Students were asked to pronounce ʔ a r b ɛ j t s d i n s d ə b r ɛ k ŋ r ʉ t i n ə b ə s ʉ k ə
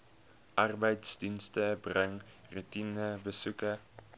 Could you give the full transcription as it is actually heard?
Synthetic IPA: ʔ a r b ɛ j t s d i n s t ə b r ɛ ŋ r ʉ t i n ə b ə s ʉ k ə